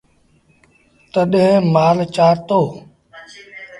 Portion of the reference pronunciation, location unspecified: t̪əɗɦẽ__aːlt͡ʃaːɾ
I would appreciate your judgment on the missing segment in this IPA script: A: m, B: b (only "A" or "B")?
A